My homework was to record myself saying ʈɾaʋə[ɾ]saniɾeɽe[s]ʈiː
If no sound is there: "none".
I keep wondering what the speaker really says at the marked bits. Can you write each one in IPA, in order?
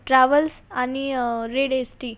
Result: l, s

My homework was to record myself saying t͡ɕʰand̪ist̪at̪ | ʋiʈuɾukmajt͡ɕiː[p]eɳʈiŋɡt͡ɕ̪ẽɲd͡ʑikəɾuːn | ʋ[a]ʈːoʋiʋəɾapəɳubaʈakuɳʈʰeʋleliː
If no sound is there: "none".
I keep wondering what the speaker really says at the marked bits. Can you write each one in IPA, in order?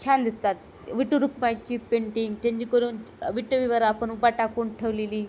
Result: p, i

